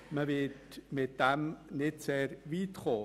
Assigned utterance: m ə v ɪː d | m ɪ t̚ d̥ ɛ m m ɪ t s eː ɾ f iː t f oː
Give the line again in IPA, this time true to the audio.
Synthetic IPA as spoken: m ə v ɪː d | m ɪ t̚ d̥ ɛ m n ɪ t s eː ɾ v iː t χ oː